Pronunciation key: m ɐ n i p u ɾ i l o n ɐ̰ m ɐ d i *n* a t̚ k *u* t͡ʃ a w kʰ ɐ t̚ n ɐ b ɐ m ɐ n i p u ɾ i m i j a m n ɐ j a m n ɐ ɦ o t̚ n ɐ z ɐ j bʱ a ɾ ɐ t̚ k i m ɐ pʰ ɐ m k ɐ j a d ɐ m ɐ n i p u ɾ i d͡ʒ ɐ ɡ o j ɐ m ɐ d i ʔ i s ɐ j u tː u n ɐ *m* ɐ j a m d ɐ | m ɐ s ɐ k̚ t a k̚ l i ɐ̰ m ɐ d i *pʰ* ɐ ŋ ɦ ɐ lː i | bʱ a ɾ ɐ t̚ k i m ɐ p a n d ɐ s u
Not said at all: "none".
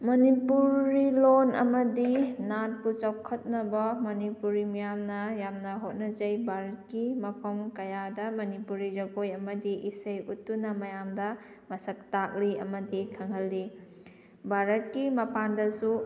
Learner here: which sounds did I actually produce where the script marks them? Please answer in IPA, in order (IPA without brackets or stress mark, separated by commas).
n, u, m, kʰ